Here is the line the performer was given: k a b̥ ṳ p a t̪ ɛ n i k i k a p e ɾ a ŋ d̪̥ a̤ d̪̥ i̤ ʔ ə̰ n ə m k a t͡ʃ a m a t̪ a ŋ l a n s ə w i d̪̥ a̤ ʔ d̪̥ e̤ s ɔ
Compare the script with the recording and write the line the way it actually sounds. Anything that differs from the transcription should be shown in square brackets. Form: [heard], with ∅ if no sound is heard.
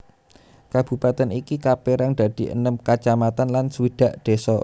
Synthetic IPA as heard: k a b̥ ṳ p a t̪ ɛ n i k i k a p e ɾ a ŋ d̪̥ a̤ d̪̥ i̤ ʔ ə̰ n ə m k a t͡ʃ a m a t̪ a [n] l a n s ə w i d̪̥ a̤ ʔ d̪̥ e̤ s ɔ